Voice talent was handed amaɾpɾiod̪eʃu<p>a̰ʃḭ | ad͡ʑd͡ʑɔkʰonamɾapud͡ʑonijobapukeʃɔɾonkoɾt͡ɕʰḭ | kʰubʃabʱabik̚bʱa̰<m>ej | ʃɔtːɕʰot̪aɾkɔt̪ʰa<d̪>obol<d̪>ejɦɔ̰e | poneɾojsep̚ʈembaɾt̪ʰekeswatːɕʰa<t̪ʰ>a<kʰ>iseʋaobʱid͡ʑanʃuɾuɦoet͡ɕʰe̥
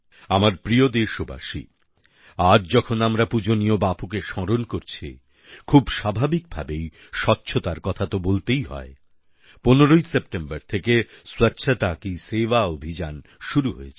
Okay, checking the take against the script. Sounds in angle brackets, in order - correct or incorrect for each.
incorrect, incorrect, incorrect, incorrect, incorrect, incorrect

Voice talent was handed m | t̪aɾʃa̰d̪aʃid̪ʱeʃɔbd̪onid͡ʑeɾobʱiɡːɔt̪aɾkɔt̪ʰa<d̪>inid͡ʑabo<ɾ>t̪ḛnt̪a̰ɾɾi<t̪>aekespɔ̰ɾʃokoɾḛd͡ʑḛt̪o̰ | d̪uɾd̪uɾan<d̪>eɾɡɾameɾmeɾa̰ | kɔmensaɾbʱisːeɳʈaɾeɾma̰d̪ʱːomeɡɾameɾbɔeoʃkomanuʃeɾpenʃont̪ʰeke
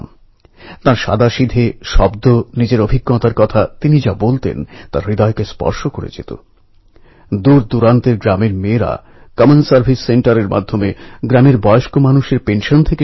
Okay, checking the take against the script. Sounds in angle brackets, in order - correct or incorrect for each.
incorrect, incorrect, incorrect, incorrect

